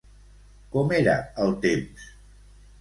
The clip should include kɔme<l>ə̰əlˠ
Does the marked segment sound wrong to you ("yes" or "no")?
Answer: yes